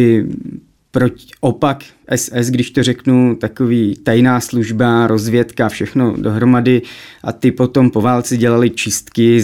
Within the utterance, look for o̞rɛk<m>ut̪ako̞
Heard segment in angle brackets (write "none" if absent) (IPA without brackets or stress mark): n